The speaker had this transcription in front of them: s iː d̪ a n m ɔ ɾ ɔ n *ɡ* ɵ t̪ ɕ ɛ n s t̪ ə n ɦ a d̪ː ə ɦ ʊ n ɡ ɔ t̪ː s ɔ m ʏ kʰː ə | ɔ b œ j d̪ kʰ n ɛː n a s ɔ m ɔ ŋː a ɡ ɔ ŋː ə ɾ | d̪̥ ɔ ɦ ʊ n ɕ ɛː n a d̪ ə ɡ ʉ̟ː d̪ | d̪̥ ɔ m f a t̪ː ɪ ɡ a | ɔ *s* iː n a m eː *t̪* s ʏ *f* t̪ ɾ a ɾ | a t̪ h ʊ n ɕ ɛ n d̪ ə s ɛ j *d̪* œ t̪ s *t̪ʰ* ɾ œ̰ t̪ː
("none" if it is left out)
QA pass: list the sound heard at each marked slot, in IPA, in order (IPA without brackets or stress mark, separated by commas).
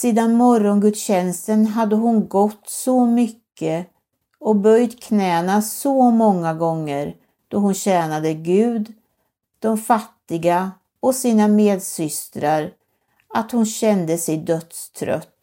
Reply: ɡ, s, d̪, s, d̪, t̪ʰ